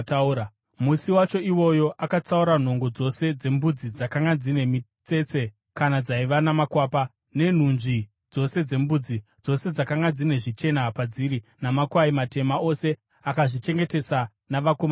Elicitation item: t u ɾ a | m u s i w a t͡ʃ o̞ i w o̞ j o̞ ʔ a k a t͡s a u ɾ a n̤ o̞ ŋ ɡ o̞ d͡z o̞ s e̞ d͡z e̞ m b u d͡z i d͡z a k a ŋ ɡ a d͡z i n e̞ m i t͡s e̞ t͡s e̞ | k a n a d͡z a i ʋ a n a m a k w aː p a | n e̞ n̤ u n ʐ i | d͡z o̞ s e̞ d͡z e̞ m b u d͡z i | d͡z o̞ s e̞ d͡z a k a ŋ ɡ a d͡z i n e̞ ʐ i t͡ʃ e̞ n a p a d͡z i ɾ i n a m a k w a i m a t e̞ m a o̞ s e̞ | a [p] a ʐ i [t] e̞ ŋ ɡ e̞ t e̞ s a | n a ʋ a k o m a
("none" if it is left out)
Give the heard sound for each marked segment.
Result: k, t͡ʃ

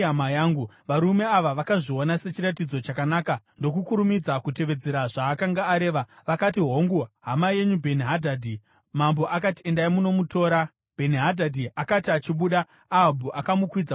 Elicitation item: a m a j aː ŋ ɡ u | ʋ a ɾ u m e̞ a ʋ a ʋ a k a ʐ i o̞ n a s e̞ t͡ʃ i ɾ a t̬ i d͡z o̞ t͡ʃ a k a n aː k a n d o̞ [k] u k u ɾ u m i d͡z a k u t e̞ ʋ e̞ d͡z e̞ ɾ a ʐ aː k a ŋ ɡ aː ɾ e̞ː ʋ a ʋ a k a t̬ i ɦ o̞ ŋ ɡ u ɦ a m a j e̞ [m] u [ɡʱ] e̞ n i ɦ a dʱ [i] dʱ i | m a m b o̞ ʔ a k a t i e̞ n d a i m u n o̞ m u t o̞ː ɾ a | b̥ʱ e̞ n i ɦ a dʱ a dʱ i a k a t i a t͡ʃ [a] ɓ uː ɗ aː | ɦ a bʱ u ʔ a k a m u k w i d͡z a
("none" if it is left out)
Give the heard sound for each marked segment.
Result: k, ɲ, bʱ, a, i

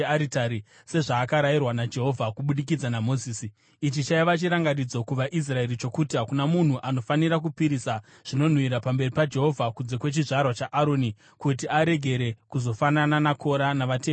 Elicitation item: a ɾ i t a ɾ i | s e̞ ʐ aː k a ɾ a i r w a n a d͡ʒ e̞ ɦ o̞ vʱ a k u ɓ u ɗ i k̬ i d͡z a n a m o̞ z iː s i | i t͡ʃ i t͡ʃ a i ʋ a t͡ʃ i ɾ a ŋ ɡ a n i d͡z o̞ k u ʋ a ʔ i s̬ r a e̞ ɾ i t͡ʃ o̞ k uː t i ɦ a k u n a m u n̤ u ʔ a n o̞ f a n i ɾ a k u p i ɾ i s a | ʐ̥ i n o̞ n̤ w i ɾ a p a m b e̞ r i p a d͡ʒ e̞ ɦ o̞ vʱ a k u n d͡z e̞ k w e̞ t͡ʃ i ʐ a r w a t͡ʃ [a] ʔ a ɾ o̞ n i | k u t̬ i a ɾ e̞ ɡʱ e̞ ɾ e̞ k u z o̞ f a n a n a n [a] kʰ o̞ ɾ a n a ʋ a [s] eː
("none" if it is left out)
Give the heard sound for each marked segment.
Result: a, a, t

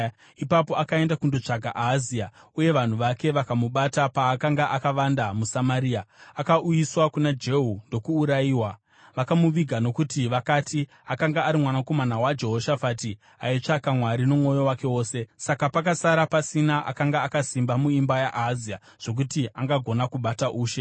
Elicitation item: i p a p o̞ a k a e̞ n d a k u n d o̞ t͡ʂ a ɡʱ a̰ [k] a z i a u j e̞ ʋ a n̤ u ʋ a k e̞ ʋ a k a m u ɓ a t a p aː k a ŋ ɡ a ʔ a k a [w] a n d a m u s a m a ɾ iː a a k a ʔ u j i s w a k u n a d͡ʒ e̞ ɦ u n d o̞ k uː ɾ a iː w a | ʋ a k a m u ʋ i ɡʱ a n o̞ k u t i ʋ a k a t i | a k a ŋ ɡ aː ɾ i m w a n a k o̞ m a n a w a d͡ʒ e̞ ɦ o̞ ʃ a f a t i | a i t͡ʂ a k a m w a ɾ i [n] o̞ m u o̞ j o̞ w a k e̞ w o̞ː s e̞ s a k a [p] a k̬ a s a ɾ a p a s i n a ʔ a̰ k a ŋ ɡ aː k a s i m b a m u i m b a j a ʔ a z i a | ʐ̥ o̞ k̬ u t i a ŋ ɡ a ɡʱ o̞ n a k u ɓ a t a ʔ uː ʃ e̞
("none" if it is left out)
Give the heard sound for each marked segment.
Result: ʔ, ʋ, n, p

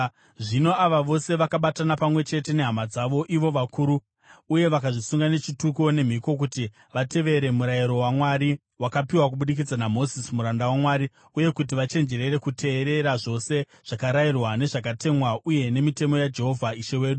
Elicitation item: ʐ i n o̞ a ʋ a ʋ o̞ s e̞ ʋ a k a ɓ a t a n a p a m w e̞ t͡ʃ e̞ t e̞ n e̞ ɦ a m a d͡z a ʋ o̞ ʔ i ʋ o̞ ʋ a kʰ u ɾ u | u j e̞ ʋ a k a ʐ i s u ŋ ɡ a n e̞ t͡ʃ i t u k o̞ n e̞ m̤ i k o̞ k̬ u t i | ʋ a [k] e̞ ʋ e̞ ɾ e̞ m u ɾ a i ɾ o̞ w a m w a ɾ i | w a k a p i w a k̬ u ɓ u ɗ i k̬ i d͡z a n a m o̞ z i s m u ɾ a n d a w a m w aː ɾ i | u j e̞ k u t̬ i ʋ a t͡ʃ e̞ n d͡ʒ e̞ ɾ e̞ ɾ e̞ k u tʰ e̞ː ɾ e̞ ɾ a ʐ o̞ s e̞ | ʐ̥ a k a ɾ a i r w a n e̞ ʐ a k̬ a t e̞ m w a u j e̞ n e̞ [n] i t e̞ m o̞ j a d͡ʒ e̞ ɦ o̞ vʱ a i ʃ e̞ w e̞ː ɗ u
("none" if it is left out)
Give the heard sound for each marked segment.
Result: t, m

